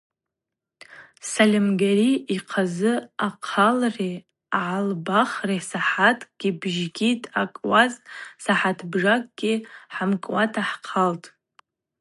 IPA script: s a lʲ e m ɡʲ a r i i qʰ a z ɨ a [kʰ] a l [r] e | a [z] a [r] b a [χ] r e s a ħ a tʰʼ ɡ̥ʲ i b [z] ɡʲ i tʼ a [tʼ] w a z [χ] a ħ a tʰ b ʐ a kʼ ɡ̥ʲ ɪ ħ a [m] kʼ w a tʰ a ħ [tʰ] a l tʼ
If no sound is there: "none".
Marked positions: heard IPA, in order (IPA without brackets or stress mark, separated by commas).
qʰ, r, ʕ, l, χ, ʒ, kʼ, s, m, qʰ